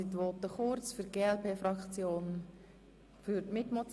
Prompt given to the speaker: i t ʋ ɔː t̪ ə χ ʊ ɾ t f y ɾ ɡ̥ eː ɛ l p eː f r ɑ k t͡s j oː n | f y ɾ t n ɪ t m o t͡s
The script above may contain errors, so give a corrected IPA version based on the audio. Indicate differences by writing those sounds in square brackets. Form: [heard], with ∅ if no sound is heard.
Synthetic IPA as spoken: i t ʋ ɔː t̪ ə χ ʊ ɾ [t͡s] f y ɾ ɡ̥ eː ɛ l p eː f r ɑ k t͡s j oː n | f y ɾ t [m] ɪ t m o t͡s